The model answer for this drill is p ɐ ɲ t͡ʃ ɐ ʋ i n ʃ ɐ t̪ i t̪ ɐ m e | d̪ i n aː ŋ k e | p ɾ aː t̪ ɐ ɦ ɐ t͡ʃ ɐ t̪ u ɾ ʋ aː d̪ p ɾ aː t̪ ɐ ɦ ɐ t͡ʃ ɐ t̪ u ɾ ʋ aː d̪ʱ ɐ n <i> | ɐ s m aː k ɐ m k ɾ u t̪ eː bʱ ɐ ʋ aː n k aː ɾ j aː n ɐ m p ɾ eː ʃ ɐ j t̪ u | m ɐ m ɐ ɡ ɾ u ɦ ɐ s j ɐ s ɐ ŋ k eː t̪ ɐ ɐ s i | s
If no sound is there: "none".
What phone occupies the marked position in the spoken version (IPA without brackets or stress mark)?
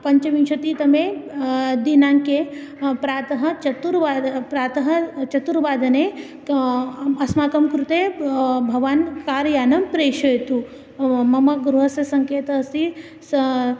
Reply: e